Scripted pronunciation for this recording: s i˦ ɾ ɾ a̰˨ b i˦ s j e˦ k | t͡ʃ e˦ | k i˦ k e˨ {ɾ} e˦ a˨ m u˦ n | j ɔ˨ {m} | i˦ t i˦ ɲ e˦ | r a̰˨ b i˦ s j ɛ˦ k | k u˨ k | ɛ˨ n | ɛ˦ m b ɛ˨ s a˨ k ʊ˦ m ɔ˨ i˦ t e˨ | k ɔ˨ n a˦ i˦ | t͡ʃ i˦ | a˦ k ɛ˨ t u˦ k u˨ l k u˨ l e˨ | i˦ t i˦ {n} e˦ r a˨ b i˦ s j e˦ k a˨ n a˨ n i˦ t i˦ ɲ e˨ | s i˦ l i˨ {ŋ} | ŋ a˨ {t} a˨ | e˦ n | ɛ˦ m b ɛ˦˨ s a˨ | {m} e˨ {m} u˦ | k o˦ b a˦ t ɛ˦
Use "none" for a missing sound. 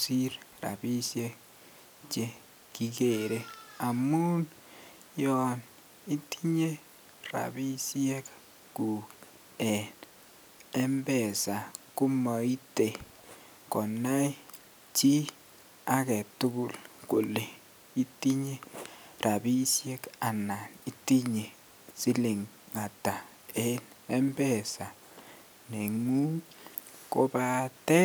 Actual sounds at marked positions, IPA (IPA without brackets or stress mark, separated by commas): ɾ, n, ɲ, ŋ, t, n, ŋ